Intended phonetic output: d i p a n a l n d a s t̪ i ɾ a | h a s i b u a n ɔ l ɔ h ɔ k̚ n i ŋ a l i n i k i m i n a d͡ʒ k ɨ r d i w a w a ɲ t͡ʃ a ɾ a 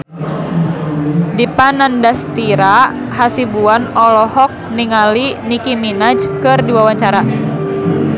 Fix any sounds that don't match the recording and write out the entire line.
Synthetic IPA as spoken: d i p a n a n d a s t̪ i ɾ a | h a s i b u a n ɔ l ɔ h ɔ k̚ n i ŋ a l i n i k i m i n a d͡ʒ k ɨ r d i w a w a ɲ t͡ʃ a ɾ a